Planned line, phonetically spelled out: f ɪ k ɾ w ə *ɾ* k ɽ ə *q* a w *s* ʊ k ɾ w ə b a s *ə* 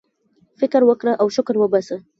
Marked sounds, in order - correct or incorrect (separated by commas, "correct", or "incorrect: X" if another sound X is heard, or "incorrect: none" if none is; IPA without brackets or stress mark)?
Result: incorrect: none, incorrect: ʔ, incorrect: ʃ, correct